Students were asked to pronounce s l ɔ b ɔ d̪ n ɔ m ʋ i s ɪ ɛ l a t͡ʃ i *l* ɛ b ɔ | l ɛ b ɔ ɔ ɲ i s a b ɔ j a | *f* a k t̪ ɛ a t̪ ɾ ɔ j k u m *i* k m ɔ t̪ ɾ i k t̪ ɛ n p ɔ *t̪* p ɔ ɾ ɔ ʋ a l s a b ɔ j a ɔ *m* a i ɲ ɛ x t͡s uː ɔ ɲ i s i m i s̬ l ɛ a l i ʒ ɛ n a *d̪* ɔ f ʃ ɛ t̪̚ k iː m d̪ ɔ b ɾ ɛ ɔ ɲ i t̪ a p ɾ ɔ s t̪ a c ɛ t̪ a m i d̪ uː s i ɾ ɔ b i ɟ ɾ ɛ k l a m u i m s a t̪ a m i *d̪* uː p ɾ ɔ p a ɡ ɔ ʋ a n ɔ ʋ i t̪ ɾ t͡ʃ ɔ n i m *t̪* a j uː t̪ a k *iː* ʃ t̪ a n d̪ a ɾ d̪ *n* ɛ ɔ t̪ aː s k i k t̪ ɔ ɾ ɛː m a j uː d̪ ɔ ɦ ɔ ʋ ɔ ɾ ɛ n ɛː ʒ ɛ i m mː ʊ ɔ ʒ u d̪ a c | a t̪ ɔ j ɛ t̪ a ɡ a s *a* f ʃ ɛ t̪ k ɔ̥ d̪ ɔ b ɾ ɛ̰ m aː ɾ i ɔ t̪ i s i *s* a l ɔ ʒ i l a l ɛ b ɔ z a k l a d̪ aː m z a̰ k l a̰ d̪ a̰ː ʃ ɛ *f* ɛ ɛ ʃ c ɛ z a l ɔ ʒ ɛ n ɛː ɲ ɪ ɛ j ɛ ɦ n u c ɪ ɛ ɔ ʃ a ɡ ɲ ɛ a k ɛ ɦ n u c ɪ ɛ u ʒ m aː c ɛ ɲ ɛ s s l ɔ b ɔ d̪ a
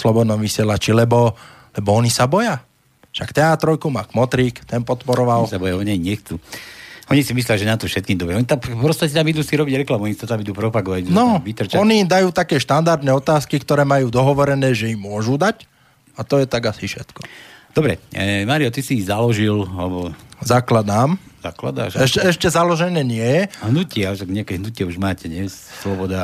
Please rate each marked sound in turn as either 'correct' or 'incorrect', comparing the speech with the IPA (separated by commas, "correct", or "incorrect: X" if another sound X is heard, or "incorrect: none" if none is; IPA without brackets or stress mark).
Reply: correct, incorrect: ʃ, incorrect: a, correct, incorrect: ɲ, incorrect: t̪, correct, incorrect: d̪, incorrect: ɛː, correct, incorrect: i, incorrect: z, incorrect: ʃ